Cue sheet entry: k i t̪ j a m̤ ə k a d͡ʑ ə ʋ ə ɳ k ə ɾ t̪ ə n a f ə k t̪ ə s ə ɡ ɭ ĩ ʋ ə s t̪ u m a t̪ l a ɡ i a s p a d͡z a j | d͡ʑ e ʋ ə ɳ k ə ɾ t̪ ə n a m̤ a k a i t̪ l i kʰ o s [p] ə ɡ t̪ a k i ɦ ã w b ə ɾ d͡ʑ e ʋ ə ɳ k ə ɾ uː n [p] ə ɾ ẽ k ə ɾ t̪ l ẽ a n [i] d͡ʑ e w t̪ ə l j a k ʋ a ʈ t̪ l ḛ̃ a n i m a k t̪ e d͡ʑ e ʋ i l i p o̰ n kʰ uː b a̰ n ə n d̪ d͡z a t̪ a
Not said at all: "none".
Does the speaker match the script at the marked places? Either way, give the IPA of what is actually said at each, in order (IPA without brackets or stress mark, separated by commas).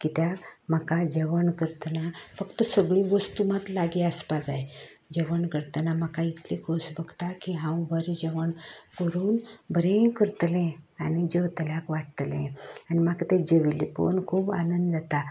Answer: b, b, i